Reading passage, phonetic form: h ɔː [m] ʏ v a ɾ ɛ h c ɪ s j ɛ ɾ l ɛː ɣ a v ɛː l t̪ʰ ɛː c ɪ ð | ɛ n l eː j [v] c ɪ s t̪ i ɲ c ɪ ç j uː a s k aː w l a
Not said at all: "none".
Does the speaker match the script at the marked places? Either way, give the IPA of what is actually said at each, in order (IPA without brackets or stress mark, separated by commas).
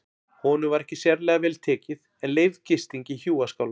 n, v